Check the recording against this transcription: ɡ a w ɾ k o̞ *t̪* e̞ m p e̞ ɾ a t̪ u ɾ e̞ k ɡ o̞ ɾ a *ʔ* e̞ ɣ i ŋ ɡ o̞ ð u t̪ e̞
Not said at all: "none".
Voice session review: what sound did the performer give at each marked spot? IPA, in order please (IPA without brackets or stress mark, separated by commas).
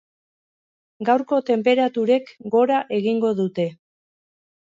t̪, ʔ